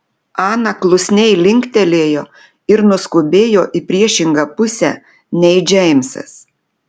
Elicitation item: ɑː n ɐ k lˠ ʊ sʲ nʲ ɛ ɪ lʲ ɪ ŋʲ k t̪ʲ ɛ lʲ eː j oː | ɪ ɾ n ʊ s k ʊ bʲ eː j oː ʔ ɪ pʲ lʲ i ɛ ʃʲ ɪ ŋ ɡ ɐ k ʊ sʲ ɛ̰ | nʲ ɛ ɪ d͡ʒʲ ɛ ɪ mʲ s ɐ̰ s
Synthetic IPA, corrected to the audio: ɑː n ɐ k lˠ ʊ sʲ nʲ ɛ ɪ lʲ ɪ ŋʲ k t̪ʲ ɛ lʲ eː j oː | ɪ ɾ n ʊ s k ʊ bʲ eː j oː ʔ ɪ pʲ ɾʲ i ɛ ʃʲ ɪ ŋ ɡ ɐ p ʊ sʲ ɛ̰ | nʲ ɛ ɪ d͡ʒʲ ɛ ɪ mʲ s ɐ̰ s